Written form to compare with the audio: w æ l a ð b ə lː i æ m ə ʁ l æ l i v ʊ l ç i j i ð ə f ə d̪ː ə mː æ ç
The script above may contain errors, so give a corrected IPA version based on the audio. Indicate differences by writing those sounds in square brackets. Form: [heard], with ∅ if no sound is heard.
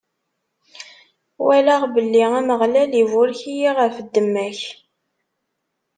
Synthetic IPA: w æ l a [ʁ] b ə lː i æ m ə ʁ l æ l i v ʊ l ç i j i [ʁ] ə f ə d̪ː ə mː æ ç